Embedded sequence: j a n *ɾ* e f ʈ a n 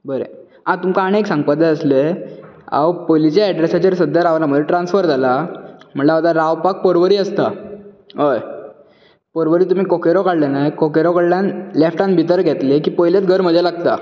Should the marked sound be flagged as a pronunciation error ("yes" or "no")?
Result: yes